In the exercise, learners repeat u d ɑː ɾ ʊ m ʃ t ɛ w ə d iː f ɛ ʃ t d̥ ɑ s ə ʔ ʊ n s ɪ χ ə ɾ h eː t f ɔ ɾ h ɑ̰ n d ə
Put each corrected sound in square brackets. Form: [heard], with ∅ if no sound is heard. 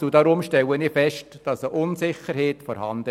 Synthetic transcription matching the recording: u d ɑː ɾ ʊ m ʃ t ɛ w ə [n] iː f ɛ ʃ t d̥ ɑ s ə ʔ ʊ n s ɪ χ ə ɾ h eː t f ɔ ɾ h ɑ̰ n d ə